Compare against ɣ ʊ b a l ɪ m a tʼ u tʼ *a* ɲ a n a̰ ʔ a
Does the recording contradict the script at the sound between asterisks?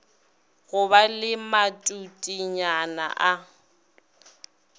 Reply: yes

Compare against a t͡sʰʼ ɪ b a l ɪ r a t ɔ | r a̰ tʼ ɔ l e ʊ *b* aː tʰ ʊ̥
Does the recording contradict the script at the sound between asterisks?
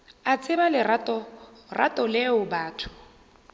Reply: no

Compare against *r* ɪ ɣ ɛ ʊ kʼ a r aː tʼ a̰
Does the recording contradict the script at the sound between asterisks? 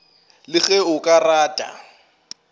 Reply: yes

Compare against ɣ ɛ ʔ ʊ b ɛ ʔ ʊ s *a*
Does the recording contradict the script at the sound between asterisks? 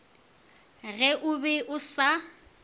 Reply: no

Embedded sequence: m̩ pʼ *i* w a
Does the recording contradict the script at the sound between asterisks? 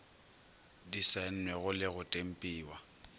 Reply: yes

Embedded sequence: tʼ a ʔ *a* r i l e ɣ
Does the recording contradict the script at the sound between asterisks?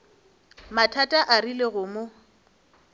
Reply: no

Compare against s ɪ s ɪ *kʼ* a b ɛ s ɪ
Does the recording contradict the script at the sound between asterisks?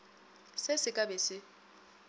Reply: no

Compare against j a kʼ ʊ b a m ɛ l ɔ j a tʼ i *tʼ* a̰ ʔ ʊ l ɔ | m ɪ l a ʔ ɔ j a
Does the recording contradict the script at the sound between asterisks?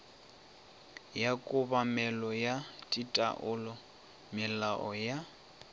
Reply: no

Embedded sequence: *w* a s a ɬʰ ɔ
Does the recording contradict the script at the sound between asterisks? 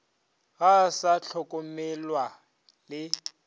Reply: yes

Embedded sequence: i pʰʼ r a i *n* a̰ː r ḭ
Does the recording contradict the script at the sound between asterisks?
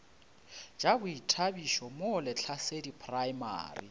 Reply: yes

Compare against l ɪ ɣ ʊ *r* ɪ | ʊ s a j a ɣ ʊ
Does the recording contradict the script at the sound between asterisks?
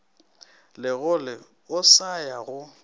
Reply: yes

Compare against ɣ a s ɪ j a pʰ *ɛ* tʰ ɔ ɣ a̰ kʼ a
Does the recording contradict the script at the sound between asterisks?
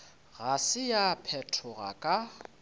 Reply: no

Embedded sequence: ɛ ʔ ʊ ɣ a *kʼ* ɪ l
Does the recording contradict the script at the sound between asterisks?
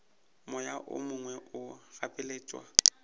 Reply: yes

